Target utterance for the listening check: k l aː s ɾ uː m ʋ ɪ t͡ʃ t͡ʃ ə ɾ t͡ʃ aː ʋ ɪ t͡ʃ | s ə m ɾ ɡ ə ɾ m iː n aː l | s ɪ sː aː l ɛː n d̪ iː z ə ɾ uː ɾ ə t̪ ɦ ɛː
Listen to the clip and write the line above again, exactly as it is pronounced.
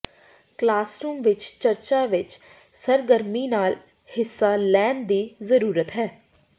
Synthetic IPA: k l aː s ɾ uː m ʋ ɪ t͡ʃ t͡ʃ ə ɾ t͡ʃ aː ʋ ɪ t͡ʃ | s ə ɾ ɡ ə ɾ m iː n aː l | h ɪ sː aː l ɛː n d̪ iː z ə ɾ uː ɾ ə t̪ ɦ ɛː